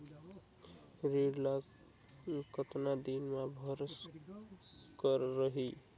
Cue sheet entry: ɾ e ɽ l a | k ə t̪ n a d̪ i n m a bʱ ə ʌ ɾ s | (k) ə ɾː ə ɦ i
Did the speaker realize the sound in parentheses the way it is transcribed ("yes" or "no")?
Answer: yes